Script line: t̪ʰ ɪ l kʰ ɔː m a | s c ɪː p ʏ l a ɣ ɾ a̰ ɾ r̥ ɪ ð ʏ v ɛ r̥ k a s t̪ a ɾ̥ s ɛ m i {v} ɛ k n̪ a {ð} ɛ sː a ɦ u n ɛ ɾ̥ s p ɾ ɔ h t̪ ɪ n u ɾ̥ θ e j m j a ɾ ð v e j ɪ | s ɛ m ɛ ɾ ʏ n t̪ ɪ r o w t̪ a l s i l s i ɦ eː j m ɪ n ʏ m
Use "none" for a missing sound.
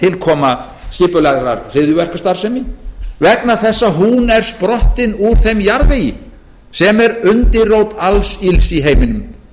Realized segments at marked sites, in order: v, θ

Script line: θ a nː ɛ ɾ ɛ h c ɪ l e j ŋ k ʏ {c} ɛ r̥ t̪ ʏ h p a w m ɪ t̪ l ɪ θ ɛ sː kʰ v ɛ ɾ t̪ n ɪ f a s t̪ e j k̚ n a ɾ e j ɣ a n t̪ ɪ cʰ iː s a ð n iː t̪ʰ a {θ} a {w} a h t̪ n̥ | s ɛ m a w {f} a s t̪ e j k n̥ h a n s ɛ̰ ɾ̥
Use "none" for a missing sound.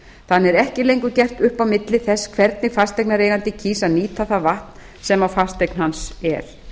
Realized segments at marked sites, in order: c, θ, v, f

